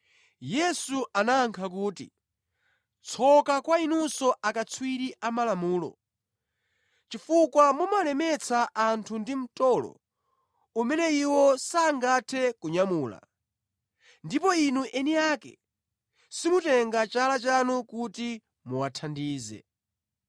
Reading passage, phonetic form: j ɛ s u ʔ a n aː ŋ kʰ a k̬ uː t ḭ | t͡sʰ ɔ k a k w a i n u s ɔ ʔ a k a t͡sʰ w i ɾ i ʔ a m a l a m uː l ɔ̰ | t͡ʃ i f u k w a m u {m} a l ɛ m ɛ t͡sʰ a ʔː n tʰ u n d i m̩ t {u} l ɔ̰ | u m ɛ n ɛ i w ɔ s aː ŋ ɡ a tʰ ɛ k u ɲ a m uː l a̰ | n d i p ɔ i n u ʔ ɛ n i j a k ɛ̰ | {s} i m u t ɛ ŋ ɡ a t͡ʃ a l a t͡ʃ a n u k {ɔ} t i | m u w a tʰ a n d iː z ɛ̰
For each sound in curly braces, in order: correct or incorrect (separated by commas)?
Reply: correct, incorrect, correct, incorrect